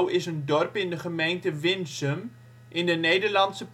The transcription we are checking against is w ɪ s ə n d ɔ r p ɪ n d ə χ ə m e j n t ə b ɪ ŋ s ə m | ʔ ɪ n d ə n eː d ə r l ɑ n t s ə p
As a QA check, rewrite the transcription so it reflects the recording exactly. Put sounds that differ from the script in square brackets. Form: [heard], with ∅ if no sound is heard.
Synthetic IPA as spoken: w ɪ s ə n d ɔ r p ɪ n d ə χ ə m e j n t ə [v] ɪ [n] s ə m | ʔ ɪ n d ə n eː d ə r l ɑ n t s ə p